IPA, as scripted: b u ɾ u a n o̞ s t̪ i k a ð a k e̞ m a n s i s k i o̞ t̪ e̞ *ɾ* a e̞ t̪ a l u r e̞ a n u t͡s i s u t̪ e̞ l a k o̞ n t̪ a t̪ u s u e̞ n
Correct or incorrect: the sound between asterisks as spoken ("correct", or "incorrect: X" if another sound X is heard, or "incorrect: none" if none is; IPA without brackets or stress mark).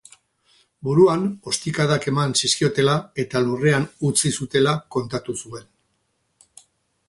incorrect: l